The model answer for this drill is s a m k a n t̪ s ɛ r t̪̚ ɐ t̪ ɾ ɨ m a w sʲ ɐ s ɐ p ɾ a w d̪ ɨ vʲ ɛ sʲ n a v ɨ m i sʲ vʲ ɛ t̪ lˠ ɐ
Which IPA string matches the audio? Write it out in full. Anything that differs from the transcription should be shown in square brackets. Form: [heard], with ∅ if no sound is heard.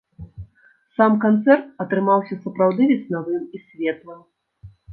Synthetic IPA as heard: s a m k a n t̪ s ɛ r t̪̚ ɐ t̪ ɾ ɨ m a w sʲ ɐ s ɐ p ɾ a w d̪ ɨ vʲ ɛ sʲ n a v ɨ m i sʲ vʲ ɛ t̪ lˠ ɐ